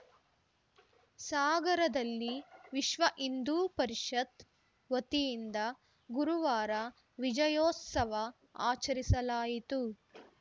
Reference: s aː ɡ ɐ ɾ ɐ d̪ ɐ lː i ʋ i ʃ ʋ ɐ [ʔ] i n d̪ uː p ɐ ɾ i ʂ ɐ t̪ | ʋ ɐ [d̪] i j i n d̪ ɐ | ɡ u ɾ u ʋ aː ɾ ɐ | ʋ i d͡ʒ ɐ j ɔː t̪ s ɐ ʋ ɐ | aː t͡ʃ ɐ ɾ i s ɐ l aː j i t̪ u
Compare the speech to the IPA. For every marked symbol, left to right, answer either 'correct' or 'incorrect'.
correct, incorrect: t̪

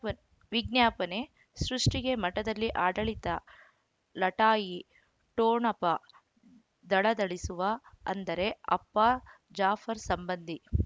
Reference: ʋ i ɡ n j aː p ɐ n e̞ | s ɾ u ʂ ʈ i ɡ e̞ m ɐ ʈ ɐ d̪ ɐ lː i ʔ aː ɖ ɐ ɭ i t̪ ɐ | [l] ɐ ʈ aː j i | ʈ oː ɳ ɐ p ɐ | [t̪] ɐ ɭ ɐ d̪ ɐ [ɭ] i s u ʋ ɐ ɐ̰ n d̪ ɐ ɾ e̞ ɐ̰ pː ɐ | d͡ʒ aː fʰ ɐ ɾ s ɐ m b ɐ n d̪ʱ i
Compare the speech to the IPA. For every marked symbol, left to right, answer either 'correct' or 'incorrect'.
correct, incorrect: d̪, correct

